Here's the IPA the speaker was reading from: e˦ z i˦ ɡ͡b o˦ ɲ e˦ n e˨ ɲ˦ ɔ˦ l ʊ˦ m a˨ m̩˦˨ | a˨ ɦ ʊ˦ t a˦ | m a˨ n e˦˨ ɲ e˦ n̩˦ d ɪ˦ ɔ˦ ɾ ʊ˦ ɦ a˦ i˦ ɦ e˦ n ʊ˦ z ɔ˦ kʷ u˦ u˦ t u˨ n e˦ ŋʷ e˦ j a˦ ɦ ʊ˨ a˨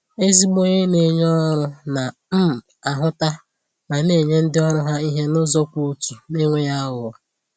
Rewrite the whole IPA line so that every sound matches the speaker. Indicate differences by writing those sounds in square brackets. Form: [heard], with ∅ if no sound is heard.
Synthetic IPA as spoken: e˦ z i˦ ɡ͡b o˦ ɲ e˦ n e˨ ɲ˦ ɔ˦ [ɾ] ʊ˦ [n] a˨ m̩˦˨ | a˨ ɦ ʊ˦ t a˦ | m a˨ n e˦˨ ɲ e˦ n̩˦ d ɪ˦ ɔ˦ ɾ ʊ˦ ɦ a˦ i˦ ɦ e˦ n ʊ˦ z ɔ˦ kʷ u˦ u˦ t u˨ n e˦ ŋʷ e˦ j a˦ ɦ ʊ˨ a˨